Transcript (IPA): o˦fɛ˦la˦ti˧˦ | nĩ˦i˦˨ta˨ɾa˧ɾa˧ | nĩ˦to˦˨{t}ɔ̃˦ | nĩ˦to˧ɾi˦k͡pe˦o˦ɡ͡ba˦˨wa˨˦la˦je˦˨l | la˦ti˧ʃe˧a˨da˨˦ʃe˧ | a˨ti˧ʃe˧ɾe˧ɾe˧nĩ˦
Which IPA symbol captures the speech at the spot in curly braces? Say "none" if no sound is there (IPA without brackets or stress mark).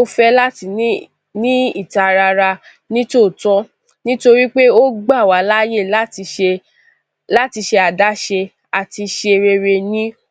t